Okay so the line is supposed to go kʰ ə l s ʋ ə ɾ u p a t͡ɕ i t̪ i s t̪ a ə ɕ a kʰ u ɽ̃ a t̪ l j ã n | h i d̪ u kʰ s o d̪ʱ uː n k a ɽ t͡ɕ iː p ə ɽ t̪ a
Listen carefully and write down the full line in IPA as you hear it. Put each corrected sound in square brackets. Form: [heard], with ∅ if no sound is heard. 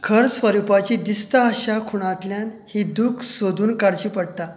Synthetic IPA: kʰ ə [ɾ] s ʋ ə ɾ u p a t͡ɕ i [d̪] i s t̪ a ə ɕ a kʰ u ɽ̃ a t̪ l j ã n | h i d̪ u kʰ s o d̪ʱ uː n k a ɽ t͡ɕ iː p ə ɽ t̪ a